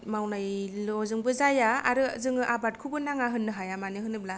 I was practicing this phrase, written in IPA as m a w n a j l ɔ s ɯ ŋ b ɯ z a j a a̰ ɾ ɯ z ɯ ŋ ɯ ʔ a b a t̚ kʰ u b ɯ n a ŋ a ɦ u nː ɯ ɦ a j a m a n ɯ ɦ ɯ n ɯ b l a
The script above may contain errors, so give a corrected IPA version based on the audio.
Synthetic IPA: m a w n a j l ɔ z ɯ ŋ b ɯ z a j a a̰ ɾ ɯ z ɯ ŋ ɯ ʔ a b a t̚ kʰ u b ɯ n a ŋ a ɦ ɯ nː ɯ ɦ a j a m a n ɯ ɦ ɯ n ɯ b l a